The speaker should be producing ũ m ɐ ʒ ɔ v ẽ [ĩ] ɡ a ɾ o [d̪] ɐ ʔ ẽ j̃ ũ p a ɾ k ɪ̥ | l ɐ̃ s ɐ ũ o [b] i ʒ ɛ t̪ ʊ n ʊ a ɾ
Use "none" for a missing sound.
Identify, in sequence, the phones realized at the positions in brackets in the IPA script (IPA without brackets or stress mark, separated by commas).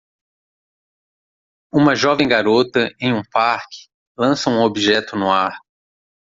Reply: j̃, t̪, b